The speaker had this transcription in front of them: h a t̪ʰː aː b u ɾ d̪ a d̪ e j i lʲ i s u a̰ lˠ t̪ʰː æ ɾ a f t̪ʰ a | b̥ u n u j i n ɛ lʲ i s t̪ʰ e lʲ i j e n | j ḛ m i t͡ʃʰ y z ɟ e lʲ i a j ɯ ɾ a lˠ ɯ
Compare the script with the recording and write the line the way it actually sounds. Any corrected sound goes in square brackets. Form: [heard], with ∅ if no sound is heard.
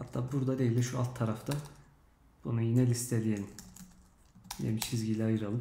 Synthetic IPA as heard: h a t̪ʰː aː b u ɾ d̪ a d̪ e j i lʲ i [ʃ] u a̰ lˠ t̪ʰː [a] ɾ a f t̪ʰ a | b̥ u n u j i n ɛ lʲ i s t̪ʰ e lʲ i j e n | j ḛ m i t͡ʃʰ [i] z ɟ [i] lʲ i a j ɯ ɾ a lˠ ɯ

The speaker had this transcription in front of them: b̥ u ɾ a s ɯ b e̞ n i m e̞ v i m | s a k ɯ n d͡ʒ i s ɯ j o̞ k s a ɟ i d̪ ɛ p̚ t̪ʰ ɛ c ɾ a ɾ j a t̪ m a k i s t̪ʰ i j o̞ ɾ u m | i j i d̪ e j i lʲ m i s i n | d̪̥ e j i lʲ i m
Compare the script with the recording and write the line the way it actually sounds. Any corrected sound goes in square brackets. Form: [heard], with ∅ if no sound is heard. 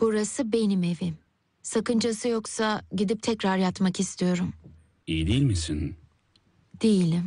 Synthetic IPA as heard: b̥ u ɾ a s ɯ b e̞ n i m e̞ v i m | s a k ɯ n d͡ʒ [a] s ɯ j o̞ k s a ɟ i d̪ [i] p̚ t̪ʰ ɛ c ɾ a ɾ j a t̪ m a k i s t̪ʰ i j o̞ ɾ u m | i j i d̪ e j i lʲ m i s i n | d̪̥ e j i lʲ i m

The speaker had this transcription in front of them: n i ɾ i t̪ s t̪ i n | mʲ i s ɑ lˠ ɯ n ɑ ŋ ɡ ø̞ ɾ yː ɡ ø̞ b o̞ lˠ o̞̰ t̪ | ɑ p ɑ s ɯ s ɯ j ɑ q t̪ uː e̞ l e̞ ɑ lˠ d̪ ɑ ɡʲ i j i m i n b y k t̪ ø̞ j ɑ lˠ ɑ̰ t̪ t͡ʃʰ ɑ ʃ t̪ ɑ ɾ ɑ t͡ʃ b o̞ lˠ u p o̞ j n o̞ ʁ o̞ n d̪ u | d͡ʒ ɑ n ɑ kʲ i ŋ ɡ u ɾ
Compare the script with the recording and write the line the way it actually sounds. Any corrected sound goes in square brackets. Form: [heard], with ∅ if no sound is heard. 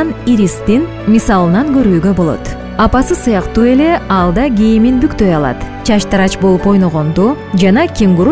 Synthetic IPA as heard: n i ɾ i [∅] s t̪ i n | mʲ i s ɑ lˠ ɯ n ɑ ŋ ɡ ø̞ ɾ yː ɡ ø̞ b o̞ lˠ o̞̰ t̪ | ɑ p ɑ s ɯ s ɯ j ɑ q t̪ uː e̞ l e̞ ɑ lˠ d̪ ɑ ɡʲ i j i m i n b y k t̪ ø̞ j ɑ lˠ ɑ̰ t̪ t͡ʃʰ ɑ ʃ t̪ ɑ ɾ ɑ t͡ʃ b o̞ lˠ u p o̞ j n o̞ ʁ o̞ n d̪ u | d͡ʒ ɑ n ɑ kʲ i ŋ ɡ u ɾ

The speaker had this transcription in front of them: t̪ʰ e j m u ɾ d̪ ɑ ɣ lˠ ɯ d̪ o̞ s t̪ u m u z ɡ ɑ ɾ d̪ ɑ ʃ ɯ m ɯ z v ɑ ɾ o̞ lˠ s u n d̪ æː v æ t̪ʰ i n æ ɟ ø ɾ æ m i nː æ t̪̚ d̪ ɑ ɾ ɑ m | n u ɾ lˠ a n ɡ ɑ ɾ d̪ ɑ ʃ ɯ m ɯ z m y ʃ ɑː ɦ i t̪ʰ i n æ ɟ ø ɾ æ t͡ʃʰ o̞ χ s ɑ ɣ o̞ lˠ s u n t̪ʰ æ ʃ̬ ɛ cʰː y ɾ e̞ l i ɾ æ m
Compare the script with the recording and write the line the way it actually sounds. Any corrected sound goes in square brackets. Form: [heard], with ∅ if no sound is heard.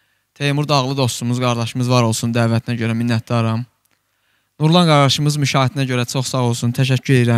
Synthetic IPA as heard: t̪ʰ e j m u ɾ d̪ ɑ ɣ lˠ ɯ d̪ o̞ s t̪ u m u z ɡ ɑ ɾ d̪ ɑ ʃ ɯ m ɯ z v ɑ ɾ o̞ lˠ s u n d̪ æː v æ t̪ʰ i n æ ɟ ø ɾ æ m i nː æ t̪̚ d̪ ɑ ɾ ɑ m | n u ɾ lˠ [ɑ] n ɡ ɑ ɾ d̪ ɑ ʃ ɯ m ɯ z m y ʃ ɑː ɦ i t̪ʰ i n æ ɟ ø ɾ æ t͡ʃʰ o̞ χ s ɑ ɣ o̞ lˠ s u n t̪ʰ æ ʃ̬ [æ] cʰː y ɾ e̞ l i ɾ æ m

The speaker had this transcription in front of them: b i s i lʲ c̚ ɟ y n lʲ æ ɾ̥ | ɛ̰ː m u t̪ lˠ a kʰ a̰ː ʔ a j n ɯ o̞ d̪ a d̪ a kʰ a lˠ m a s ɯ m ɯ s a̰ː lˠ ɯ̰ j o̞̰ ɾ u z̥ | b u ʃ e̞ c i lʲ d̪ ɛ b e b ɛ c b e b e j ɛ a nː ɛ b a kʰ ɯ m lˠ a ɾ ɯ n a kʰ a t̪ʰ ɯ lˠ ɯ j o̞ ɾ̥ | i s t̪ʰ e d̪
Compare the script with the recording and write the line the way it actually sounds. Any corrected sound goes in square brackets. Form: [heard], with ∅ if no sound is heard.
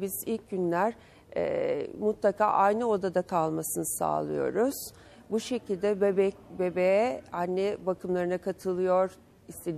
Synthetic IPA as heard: b i [z] i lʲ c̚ ɟ y n lʲ æ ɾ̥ | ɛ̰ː m u t̪ lˠ a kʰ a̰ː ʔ a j n ɯ o̞ d̪ a d̪ a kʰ a lˠ m a s ɯ [n] ɯ s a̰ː lˠ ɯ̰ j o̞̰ ɾ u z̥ | b u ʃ e̞ c i lʲ d̪ ɛ b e b ɛ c b e b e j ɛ a nː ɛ b a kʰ ɯ m lˠ a ɾ ɯ n a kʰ a t̪ʰ ɯ lˠ ɯ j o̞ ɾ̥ | i s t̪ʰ e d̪

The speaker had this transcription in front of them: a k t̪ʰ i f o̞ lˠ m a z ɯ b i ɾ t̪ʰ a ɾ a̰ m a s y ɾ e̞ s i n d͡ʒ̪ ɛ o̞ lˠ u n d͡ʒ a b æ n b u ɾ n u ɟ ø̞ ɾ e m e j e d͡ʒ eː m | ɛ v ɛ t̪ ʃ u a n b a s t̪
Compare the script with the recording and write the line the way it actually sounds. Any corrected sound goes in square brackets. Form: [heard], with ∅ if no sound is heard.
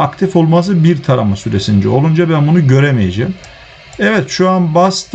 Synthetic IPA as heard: a k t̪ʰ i f o̞ lˠ m a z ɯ b i ɾ t̪ʰ a ɾ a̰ m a s y ɾ e̞ s i n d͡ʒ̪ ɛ o̞ lˠ u n d͡ʒ a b æ n b u [∅] n u ɟ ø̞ ɾ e m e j e d͡ʒ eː m | ɛ v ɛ t̪ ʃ u a n b a s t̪

